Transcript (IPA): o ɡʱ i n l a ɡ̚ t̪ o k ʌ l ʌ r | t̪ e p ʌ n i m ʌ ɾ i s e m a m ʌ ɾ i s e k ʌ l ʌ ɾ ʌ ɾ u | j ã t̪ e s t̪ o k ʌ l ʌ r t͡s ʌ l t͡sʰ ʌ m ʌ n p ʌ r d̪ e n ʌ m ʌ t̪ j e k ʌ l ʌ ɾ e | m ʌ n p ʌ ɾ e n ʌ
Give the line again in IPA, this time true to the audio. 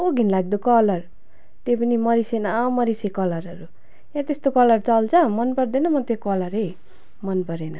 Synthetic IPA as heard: o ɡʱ i n l a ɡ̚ d̪ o k ʌ l ʌ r | t̪ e p ʌ n i m ʌ ɾ i s e n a m ʌ ɾ i s e k ʌ l ʌ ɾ ʌ ɾ u | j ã t̪ e s t̪ o k ʌ l ʌ r t͡s ʌ l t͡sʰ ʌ m ʌ n p ʌ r d̪ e n ʌ m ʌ t̪ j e k ʌ l ʌ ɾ e | m ʌ n p ʌ ɾ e n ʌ